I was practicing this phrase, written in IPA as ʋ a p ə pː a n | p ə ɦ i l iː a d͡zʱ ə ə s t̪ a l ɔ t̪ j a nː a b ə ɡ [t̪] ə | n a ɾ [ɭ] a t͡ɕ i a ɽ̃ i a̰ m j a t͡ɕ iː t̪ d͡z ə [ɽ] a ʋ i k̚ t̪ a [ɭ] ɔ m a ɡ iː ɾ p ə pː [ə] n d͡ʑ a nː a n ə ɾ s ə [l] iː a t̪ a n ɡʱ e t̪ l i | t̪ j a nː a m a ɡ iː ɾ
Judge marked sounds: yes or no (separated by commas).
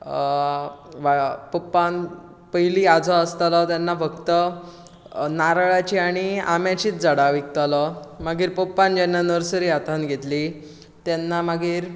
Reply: yes, yes, yes, no, no, no